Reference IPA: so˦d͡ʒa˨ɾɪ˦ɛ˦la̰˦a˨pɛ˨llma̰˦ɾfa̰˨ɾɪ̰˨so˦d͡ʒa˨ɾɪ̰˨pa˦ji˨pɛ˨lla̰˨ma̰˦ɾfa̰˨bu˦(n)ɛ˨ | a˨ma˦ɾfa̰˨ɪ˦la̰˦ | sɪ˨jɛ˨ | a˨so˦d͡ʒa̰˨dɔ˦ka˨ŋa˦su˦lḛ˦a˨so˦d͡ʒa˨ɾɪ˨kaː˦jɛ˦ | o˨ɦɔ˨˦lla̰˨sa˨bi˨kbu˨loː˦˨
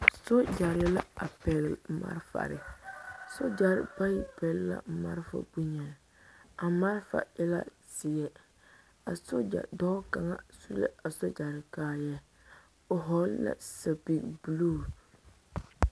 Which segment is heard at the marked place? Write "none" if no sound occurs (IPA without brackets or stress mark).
ɲ